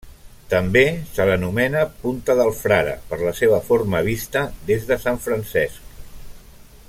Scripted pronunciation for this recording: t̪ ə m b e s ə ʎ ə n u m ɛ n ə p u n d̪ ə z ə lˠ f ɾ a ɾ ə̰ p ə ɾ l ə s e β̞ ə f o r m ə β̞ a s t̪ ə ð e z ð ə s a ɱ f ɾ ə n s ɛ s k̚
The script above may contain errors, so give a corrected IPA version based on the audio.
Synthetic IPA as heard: t̪ ə m b e s ə l ə n u m ɛ n ə p u n t̪ ə ð ə lˠ f ɾ a ɾ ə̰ p ə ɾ l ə s e β̞ ə f o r m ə β̞ i s t̪ ə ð e z ð ə s a ɱ f ɾ ə n s ɛ s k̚